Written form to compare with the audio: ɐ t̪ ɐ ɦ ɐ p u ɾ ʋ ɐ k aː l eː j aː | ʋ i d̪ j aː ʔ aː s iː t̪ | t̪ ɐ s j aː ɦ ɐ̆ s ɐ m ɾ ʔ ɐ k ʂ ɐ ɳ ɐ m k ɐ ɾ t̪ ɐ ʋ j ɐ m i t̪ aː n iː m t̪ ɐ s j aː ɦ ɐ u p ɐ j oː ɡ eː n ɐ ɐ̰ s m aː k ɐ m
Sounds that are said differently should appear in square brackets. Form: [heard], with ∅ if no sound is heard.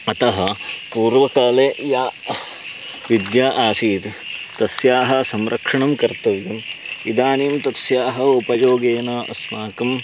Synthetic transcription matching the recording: ɐ t̪ ɐ ɦ ɐ p [uː] ɾ ʋ ɐ k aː l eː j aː | ʋ i d̪ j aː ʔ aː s iː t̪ | t̪ ɐ s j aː ɦ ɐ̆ s ɐ m ɾ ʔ ɐ k ʂ ɐ ɳ ɐ m k ɐ ɾ t̪ ɐ ʋ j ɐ m i [d̪] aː n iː m t̪ ɐ s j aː ɦ ɐ u p ɐ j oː ɡ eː n ɐ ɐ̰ s m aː k ɐ m